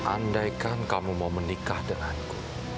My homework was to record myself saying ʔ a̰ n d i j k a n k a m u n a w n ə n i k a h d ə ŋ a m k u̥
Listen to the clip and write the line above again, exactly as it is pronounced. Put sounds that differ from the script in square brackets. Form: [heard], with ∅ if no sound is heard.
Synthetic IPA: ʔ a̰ n d [a] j k a n k a m u [m] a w [m] ə n i k a h d ə ŋ a [n] k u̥